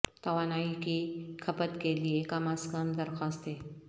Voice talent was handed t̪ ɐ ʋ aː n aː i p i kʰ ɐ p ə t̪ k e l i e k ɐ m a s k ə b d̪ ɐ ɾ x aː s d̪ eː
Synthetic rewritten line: t̪ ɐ ʋ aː n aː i k i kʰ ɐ p ə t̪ k e l i e k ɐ m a s k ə m d̪ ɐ ɾ x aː s t̪ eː